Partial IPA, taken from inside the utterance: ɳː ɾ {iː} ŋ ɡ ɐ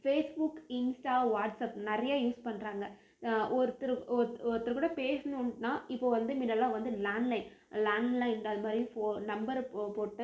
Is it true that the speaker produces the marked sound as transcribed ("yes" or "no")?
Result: no